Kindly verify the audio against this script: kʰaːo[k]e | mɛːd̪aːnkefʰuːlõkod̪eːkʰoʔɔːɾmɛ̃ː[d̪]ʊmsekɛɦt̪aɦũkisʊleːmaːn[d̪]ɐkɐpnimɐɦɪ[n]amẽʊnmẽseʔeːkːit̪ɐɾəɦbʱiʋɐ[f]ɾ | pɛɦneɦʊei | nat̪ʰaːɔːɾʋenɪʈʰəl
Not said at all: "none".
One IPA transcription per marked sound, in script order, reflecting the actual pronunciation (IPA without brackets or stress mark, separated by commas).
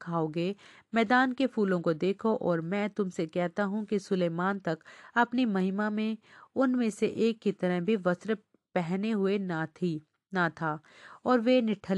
ɡ, t̪, t̪, m, s